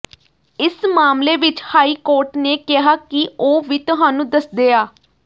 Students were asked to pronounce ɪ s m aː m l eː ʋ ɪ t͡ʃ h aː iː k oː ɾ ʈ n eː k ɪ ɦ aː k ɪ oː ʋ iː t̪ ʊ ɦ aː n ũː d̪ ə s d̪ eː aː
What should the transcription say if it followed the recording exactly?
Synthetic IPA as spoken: ɪ s m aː m l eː ʋ ɪ t͡ʃ h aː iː k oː ɾ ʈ n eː k ɪ ɦ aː k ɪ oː ʋ iː t̪ ʊ ɦ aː n ũː d̪ ə s d̪ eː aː